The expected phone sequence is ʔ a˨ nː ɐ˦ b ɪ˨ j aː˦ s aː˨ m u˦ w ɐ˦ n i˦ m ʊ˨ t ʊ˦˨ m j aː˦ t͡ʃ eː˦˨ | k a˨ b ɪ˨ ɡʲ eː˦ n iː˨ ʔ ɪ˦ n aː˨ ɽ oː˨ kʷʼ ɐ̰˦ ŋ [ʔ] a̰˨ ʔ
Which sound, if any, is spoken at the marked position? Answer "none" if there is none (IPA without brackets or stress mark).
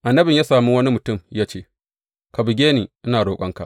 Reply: k